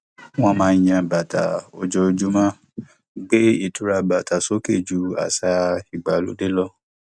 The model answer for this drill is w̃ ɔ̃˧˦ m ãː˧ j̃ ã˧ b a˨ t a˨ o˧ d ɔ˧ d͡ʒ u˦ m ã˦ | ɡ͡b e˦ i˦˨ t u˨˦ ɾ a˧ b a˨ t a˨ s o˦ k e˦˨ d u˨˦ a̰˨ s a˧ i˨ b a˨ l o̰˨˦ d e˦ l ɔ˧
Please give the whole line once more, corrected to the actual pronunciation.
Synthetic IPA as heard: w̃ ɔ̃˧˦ m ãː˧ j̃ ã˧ b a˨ t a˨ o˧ d͡ʒ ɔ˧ d͡ʒ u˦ m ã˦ | ɡ͡b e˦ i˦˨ t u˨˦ ɾ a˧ b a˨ t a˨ s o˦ k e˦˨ d͡ʒ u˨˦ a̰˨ s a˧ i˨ ɡ͡b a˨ l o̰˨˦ d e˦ l ɔ˧